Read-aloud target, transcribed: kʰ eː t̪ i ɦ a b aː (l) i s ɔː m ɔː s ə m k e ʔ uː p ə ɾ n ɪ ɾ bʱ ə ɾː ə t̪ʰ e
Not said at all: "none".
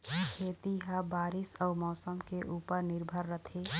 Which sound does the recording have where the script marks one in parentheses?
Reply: ɾ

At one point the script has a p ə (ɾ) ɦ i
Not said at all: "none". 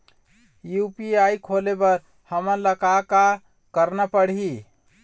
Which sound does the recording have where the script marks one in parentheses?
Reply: ɽ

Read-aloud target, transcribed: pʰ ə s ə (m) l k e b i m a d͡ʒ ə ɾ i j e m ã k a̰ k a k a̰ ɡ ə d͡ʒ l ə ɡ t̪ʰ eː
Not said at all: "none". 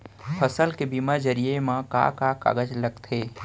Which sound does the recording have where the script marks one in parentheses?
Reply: none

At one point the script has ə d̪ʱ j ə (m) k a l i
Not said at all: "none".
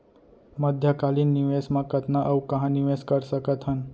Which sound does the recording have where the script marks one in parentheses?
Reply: none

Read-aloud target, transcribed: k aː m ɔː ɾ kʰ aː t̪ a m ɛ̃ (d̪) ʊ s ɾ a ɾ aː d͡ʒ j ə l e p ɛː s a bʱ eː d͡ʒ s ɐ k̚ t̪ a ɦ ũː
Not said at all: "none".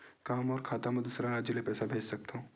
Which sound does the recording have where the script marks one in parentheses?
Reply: d̪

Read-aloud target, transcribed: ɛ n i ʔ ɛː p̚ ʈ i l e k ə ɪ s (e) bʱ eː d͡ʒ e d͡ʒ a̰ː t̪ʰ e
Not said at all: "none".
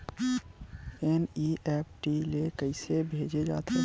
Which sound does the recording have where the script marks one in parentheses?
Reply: e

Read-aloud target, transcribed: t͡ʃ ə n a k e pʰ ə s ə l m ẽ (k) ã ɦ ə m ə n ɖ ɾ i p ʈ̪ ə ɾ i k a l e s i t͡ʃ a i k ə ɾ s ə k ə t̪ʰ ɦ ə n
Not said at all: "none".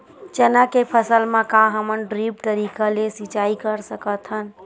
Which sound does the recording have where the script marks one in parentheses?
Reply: k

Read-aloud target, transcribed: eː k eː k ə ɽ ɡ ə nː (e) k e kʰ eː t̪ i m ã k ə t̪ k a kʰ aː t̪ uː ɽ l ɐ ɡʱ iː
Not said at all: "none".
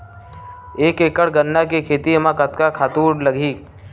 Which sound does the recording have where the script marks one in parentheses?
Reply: a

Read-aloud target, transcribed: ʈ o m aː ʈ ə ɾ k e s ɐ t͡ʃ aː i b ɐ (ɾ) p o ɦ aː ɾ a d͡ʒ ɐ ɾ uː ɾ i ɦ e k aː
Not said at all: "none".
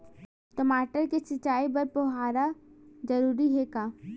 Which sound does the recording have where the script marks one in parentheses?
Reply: ɾ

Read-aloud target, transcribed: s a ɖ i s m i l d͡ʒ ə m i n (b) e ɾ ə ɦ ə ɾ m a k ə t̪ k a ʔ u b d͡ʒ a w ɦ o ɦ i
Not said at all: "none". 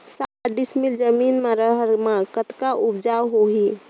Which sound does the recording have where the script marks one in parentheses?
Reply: m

